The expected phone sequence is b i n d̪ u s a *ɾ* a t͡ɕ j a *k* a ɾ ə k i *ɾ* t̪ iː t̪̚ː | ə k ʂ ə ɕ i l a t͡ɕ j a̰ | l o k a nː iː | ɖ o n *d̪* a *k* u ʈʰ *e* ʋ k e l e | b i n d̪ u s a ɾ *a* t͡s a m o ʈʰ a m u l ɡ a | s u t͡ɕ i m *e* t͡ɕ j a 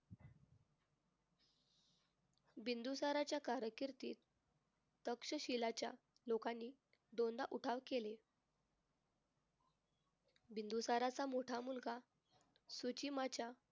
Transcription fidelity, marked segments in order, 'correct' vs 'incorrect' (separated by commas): correct, correct, correct, correct, incorrect, incorrect, correct, incorrect